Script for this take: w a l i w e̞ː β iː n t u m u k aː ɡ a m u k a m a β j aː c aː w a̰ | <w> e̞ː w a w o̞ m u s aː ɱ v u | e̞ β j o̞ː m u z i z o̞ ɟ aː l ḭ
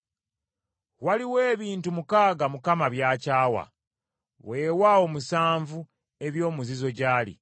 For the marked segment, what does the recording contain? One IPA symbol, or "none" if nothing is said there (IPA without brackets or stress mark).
w